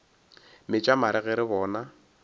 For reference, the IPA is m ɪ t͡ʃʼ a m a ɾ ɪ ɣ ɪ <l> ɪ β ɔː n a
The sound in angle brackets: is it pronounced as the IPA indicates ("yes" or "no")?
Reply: no